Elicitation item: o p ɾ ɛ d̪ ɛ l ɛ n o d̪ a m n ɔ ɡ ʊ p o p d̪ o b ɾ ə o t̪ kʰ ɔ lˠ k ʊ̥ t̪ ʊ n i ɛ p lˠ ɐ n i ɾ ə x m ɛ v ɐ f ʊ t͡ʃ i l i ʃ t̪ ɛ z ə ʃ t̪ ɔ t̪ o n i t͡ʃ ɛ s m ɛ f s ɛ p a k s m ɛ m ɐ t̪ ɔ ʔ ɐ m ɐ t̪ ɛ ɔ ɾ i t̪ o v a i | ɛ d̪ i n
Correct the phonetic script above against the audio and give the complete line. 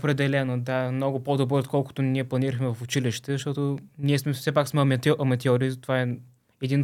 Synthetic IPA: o p ɾ ɛ d̪ ɛ l ɛ n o d̪ a m n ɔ ɡ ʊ p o d̪ o b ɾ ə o t̪ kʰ ɔ lˠ k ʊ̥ t̪ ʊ n i ɛ p lˠ ɐ n i ɾ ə x m ɛ v ɐ f ʊ t͡ʃ i l i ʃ t̪ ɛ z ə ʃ t̪ ɔ t̪ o n i ɛ s m ɛ f s ɛ p a k s m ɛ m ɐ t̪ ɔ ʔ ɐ m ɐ t̪ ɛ ɔ ɾ i t̪ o v a ɛ | ɛ d̪ i n